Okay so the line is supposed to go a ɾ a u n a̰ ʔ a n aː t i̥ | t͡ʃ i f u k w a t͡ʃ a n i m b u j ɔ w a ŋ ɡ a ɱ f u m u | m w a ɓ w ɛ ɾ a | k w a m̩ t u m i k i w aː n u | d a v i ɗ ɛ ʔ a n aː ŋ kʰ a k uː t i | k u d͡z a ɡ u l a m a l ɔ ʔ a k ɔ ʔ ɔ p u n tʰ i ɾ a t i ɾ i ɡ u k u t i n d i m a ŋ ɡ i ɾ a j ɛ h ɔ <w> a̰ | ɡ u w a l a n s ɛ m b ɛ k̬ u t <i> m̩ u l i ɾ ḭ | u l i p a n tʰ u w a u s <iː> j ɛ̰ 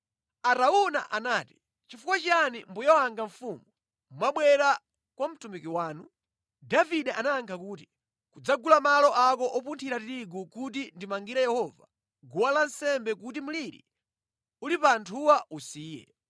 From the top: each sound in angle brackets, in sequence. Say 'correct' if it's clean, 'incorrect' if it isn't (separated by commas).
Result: incorrect, correct, correct